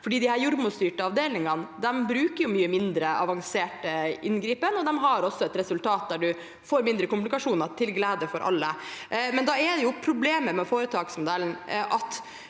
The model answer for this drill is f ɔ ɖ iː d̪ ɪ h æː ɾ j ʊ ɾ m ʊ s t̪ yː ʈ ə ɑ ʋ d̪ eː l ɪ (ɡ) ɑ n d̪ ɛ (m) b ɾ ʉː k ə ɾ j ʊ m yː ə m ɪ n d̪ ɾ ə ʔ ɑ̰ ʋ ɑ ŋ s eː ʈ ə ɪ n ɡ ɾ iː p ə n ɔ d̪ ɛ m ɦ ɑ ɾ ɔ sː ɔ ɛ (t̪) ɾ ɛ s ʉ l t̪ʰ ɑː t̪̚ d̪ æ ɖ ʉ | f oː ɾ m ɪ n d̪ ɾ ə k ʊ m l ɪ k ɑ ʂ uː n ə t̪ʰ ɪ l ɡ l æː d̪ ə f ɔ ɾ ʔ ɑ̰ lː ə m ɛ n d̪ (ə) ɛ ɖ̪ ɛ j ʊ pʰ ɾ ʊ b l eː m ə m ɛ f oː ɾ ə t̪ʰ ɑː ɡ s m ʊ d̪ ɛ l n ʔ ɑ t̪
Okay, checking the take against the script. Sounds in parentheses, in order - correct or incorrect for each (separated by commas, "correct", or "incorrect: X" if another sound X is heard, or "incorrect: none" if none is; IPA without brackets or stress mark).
incorrect: ŋ, correct, correct, incorrect: ɑ